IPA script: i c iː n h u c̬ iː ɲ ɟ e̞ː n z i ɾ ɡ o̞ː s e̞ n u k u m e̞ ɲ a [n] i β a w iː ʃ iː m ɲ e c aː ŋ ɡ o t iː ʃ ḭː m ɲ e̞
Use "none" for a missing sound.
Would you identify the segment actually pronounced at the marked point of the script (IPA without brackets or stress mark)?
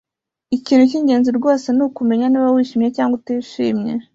n